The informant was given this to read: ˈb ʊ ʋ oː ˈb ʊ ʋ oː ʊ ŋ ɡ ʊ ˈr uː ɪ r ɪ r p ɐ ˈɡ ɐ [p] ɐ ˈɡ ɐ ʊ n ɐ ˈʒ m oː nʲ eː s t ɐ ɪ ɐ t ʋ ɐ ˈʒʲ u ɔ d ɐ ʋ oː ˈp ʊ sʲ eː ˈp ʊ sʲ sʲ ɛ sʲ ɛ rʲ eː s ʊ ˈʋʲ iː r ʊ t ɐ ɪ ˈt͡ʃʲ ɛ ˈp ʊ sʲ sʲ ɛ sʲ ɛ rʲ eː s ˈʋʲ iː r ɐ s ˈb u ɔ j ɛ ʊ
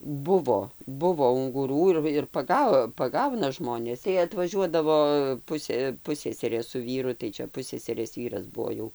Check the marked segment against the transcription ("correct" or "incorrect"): correct